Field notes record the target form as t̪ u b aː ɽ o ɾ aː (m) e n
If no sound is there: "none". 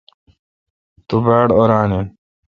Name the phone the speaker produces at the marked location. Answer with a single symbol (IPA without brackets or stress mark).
n